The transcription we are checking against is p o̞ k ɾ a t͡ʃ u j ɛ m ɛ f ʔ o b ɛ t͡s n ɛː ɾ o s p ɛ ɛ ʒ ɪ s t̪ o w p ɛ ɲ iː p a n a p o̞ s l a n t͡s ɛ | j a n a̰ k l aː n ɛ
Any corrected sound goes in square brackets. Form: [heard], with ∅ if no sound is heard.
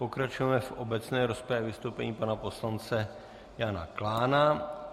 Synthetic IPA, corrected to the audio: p o̞ k ɾ a t͡ʃ u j ɛ m ɛ f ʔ o b ɛ t͡s n ɛː ɾ o s p ɛ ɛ [v] ɪ s t̪ o w p ɛ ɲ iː p a n a p o̞ s l a n t͡s ɛ | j a n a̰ k l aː n [a]